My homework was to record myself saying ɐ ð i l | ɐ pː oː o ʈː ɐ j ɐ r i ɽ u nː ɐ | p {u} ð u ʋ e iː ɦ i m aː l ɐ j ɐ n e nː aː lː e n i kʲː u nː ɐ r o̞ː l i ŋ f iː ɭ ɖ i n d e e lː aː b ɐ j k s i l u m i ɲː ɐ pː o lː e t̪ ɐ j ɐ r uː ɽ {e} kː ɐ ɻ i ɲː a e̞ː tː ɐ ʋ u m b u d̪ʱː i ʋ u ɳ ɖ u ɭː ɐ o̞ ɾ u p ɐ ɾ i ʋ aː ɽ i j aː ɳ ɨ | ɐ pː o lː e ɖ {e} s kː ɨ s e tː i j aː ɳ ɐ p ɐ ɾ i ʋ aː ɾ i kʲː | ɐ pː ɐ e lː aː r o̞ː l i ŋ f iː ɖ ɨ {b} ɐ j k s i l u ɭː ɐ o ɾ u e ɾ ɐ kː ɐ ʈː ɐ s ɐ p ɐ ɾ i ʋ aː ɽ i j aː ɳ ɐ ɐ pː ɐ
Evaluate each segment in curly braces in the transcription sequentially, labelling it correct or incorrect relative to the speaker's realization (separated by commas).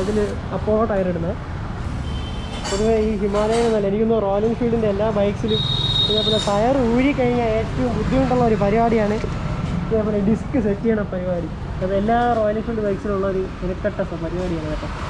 incorrect, incorrect, incorrect, correct